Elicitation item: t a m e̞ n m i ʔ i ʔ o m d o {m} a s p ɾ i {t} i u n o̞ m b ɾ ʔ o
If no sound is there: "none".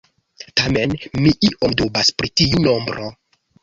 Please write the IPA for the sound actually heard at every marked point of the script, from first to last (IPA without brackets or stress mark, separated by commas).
b, t